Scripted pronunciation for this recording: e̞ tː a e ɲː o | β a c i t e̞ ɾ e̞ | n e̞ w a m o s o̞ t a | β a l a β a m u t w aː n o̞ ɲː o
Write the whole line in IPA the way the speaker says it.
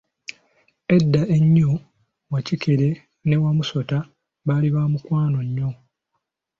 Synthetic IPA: e̞ dː a e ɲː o | w a c i k e̞ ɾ e̞ | n e̞ w a m u s o̞ t a | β a l i β a m u k w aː n o̞ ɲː o